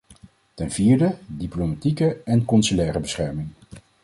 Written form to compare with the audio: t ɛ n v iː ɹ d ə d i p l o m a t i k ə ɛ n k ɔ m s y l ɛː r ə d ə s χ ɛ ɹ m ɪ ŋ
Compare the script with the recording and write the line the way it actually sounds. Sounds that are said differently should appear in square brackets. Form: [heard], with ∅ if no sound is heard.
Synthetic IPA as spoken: t ɛ n v iː ɹ d ə d i p l o m a t i k ə ɛ n k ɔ [n] s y l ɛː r ə [b] ə s χ ɛ ɹ m ɪ ŋ